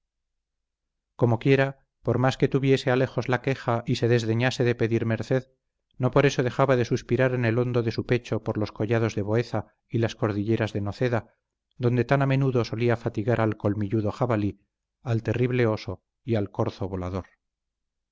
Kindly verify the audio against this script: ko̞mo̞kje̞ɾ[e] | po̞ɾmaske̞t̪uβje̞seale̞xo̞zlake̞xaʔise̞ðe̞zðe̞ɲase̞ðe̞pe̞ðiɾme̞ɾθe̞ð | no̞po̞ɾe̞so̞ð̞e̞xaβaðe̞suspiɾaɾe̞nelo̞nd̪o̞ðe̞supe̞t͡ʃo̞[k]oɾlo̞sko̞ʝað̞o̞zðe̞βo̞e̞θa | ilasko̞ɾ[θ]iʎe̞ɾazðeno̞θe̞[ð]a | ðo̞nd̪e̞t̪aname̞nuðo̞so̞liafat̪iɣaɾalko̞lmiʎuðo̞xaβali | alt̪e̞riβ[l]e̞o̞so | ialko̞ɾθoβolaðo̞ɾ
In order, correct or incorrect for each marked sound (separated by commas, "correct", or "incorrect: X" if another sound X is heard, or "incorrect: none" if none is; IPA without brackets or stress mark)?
incorrect: a, incorrect: p, incorrect: ð, correct, correct